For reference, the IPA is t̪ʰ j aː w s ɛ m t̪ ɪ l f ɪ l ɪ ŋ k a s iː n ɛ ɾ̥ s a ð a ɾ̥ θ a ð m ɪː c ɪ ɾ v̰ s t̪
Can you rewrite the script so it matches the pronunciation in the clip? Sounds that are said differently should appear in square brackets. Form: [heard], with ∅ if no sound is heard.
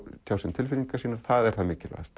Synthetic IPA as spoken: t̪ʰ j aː w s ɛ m [t̪ʰ] ɪ l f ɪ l [i] ŋ k a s iː n [a] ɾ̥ [θ] a ð [ɛ] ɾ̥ θ a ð m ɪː c ɪ [l] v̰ s t̪